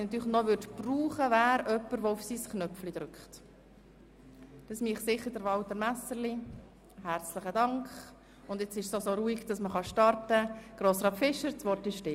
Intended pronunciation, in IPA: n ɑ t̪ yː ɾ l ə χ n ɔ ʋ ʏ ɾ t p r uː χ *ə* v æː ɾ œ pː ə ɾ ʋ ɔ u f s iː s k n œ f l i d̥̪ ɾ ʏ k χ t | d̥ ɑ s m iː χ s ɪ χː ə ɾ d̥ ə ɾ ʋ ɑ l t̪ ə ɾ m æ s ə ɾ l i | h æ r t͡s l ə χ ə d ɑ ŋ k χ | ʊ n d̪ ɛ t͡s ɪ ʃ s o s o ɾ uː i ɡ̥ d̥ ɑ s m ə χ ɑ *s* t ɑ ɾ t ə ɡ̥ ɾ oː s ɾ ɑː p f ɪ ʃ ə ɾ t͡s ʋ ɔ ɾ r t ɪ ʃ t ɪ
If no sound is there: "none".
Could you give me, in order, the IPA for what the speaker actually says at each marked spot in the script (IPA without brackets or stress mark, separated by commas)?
ə, ʃ